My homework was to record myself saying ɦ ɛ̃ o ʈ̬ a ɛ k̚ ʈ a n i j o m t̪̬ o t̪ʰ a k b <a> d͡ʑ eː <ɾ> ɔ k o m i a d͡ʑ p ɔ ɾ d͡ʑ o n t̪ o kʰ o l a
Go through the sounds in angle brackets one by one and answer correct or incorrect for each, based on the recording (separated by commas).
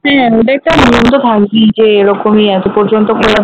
incorrect, correct